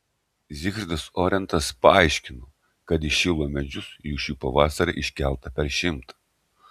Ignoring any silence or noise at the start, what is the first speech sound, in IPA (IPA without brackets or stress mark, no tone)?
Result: zʲ